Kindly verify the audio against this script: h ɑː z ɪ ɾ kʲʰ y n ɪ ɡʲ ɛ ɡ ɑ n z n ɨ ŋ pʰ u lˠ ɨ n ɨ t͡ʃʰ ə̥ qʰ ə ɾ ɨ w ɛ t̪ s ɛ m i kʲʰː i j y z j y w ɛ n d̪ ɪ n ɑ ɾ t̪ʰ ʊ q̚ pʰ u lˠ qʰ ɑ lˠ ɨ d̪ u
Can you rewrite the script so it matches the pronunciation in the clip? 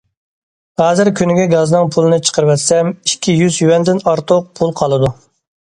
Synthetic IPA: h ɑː z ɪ ɾ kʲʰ y n ɪ ɡʲ ɛ ɡ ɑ z n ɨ ŋ pʰ u lˠ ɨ n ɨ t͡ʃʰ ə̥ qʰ ə ɾ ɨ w ɛ t̪ s ɛ m i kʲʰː i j y z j y w ɛ n d̪ ɪ n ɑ ɾ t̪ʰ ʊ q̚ pʰ u lˠ qʰ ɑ lˠ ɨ d̪ u